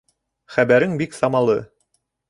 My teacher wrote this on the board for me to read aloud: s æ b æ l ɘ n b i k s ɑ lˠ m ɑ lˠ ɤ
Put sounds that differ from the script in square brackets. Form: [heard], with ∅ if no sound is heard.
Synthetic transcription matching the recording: [χ] æ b æ [ɾ] ɘ [ŋ] b i k s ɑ [∅] m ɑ lˠ ɤ